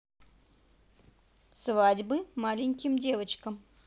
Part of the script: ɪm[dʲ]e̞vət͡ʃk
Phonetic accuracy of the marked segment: correct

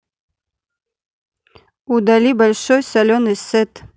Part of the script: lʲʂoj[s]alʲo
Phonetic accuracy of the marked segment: correct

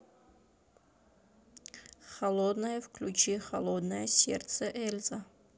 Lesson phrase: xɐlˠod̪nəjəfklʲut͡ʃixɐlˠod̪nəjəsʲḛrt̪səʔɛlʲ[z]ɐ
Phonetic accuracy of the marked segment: correct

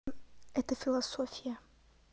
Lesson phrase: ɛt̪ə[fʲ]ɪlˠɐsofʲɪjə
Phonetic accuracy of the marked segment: correct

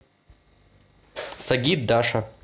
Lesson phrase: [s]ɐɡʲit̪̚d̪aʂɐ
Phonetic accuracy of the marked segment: correct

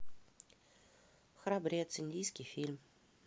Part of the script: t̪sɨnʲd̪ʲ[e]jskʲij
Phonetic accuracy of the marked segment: incorrect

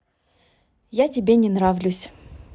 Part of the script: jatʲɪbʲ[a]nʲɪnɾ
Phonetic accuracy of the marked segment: incorrect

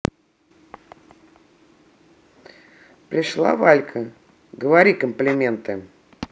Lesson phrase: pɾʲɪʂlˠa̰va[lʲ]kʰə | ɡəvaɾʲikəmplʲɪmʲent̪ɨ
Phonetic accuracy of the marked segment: correct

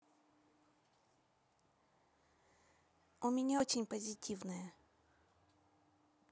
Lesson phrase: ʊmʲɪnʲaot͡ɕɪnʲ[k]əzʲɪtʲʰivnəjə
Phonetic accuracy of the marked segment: incorrect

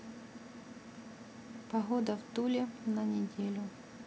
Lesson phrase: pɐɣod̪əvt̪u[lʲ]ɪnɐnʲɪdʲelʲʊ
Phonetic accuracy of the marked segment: correct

